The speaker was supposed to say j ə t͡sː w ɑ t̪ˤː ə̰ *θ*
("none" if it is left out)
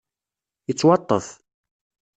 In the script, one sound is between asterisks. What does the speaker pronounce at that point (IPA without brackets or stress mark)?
θ